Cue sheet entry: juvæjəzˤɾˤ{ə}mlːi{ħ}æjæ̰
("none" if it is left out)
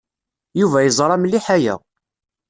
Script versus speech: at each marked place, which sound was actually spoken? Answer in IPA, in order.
ɑ, ħ

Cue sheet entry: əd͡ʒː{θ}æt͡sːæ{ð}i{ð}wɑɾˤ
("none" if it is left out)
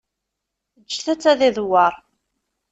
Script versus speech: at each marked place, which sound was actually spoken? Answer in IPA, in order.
θ, ð, ð

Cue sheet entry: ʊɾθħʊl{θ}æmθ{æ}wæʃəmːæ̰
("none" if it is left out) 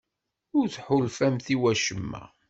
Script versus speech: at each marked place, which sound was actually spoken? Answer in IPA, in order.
f, i

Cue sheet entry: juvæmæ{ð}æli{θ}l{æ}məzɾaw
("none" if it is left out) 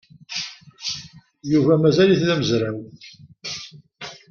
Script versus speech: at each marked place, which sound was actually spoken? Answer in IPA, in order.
z, θ, æ

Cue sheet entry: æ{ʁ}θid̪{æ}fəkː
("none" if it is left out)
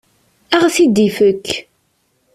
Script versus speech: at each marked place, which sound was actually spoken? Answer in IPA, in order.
ʁ, i

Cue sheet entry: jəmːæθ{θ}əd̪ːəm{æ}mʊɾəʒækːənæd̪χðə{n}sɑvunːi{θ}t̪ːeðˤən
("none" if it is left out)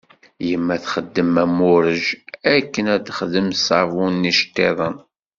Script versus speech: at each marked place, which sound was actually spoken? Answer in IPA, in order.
χ, æ, m, ʃ

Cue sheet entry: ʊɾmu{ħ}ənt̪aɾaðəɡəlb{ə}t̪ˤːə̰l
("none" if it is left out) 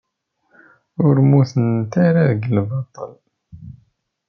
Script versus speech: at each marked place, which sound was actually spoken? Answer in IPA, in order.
θ, ɑ

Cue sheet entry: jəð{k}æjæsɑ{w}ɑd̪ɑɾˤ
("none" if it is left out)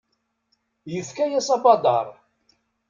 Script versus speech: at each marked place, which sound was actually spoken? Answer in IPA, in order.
k, b

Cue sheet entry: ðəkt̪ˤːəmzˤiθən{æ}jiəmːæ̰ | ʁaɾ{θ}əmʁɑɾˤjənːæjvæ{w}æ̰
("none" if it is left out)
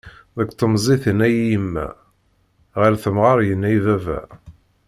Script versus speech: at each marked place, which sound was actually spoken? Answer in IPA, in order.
æ, θ, v

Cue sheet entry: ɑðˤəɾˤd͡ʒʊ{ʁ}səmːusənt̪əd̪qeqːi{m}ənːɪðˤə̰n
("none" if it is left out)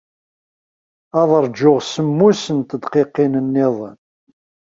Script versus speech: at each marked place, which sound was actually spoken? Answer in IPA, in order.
ʁ, n

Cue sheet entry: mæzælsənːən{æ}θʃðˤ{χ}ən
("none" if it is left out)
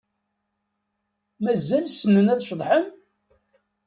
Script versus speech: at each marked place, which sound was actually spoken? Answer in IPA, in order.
æ, ħ

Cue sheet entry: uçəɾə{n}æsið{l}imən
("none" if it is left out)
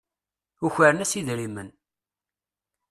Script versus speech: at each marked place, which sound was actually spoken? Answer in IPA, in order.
n, ɾ

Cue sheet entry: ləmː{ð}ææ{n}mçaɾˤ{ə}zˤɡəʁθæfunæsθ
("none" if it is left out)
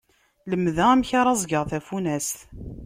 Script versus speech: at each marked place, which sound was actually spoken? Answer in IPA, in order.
ð, none, ɑ

